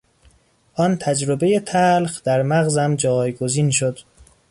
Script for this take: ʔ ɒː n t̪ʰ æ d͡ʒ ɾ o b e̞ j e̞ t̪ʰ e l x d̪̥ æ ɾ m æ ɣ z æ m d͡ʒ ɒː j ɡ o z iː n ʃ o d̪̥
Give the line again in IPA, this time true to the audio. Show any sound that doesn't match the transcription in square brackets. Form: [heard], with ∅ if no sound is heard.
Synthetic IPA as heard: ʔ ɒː n t̪ʰ æ d͡ʒ ɾ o b e̞ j e̞ t̪ʰ [æ] l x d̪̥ æ ɾ m æ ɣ z æ m d͡ʒ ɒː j ɡ o z iː n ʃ o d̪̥